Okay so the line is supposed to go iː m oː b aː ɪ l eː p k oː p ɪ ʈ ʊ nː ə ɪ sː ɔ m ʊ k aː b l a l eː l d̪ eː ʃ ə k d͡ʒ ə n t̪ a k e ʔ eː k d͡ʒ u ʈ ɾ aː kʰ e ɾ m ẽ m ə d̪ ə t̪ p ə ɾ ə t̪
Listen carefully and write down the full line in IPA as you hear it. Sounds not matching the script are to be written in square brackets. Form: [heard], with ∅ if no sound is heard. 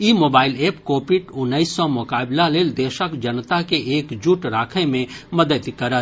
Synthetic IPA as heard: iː m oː b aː ɪ l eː p k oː p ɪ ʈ ʊ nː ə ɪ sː ɔ m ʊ k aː b l a l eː l d̪ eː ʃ ə k d͡ʒ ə n t̪ a k e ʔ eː k d͡ʒ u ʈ ɾ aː kʰ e [∅] m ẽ m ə d̪ ə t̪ [k] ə ɾ ə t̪